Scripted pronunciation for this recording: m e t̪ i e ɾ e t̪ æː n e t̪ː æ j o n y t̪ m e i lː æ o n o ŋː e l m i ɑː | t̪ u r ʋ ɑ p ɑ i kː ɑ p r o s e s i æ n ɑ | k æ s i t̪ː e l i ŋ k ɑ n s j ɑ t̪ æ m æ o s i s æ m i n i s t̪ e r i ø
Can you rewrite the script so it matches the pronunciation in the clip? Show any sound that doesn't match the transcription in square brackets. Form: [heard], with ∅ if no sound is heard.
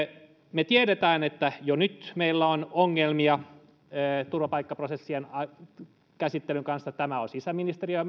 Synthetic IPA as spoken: m e t̪ i e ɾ e t̪ æː n e t̪ː æ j o n y t̪ m e i lː æ o n o ŋː e l m i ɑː | t̪ u r ʋ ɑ p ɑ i kː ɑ p r o s e [sː] i [e] n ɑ | k æ s i t̪ː e l [y] ŋ k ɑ n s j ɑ t̪ æ m æ o s i s æ m i n i s t̪ e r i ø